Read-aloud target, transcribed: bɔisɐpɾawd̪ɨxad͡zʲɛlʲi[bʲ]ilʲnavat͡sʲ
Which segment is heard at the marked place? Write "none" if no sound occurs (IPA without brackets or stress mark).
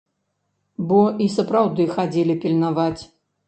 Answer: pʲ